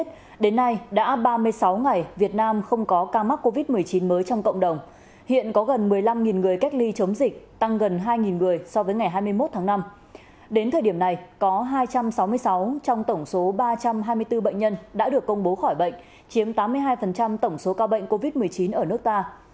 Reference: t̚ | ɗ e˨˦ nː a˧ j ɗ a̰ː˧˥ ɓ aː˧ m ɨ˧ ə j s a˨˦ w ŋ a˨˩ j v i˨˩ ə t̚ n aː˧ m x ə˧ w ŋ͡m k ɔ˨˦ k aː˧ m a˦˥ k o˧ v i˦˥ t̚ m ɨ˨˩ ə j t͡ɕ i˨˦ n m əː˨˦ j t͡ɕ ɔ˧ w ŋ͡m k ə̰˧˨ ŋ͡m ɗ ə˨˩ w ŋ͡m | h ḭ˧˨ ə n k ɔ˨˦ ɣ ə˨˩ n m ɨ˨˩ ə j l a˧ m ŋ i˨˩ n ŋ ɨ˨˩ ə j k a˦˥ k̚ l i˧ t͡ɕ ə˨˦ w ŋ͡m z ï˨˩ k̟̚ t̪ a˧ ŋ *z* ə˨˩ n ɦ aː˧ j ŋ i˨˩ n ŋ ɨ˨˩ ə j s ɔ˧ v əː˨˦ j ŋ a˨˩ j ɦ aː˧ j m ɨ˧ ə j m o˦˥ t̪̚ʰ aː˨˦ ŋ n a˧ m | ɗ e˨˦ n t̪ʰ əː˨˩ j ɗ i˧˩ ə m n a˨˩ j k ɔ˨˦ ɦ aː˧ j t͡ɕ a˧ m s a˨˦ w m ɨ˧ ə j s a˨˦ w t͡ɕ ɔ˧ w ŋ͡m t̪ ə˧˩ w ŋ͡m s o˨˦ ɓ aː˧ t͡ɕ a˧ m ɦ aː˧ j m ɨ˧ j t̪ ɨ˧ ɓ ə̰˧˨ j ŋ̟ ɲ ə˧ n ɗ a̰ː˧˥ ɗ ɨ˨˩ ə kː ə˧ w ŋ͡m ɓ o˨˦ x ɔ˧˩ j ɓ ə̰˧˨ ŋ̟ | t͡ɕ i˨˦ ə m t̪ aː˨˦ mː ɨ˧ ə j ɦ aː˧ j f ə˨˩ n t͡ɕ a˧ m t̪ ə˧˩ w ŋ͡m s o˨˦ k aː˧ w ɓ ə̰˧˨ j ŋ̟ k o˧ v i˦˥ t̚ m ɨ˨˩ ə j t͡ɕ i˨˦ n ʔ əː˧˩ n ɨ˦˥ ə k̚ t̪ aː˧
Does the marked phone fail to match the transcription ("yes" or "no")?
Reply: yes